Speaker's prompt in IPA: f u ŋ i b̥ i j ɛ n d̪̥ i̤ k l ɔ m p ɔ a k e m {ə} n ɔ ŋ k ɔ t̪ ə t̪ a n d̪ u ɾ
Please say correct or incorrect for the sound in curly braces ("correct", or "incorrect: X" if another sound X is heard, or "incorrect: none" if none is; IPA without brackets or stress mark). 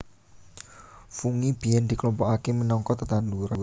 correct